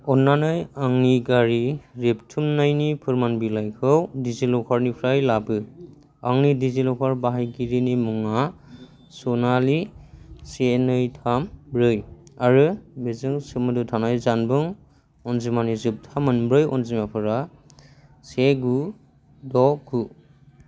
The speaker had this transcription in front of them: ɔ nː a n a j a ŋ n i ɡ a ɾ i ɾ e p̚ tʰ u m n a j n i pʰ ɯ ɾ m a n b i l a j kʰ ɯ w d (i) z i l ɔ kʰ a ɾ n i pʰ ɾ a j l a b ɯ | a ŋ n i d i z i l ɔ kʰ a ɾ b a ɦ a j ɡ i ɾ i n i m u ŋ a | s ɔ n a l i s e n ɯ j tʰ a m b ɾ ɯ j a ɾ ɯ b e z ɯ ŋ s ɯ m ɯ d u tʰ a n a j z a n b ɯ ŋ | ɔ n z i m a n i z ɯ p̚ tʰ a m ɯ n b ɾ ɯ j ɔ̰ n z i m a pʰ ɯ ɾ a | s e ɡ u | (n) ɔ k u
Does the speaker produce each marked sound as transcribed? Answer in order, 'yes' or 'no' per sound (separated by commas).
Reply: yes, no